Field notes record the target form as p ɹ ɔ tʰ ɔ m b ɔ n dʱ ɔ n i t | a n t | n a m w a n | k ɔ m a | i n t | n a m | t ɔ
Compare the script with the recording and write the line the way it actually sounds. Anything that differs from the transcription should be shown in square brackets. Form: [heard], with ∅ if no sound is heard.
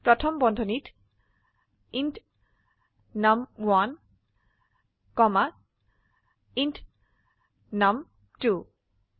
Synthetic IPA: p ɹ ɔ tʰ ɔ m b ɔ n dʱ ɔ n i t | [i] n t | n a m w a n | k ɔ m a | i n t | n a m | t [u]